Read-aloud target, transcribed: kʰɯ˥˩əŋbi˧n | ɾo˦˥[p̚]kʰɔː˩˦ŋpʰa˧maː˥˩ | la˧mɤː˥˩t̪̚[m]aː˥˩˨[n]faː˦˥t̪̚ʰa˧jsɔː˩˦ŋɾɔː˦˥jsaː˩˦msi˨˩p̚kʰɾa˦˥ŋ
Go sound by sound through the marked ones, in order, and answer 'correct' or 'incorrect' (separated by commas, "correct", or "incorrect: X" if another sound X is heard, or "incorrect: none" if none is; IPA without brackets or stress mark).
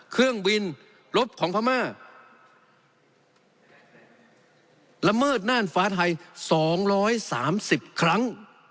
correct, incorrect: n, correct